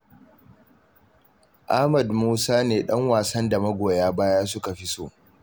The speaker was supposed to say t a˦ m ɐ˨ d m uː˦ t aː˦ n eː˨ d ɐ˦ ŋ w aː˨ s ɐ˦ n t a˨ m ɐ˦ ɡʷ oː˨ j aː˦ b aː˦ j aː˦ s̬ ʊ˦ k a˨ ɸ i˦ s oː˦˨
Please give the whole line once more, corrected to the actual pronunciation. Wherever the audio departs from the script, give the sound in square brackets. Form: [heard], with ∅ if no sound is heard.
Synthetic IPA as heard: [ʔ] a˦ m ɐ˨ d m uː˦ [s] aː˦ n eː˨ [ɗ] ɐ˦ ŋ w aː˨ s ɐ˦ n [d] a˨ m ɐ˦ ɡʷ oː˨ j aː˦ b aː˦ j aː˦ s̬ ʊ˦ k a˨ ɸ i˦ s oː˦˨